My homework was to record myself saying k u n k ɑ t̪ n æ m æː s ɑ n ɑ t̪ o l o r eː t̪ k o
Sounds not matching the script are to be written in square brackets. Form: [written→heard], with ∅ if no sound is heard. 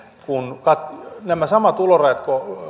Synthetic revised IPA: k u n k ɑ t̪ n æ m [æː→æ] s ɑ [n→m] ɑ t̪ [o→u] l o r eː t̪ k o